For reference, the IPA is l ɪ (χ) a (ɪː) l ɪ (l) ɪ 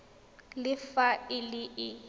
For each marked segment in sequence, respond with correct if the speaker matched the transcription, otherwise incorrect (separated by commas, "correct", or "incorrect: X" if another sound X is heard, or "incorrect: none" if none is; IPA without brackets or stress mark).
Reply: incorrect: f, incorrect: ɪ, incorrect: none